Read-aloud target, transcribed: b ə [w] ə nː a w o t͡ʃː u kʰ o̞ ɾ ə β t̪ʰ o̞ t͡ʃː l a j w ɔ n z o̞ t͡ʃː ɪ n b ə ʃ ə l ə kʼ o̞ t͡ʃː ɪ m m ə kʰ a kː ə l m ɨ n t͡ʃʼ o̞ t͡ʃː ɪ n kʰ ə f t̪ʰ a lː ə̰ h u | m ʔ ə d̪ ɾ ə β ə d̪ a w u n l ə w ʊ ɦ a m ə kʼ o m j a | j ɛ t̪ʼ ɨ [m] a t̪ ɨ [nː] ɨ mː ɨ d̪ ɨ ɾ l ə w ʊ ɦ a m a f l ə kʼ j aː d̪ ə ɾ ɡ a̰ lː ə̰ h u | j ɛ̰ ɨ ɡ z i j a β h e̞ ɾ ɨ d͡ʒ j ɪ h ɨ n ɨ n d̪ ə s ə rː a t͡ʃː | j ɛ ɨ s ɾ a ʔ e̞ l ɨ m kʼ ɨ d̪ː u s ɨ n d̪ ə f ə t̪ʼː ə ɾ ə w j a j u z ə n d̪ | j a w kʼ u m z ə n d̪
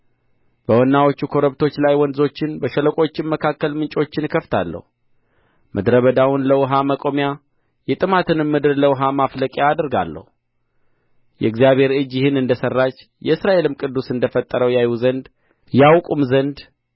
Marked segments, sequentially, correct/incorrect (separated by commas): correct, correct, incorrect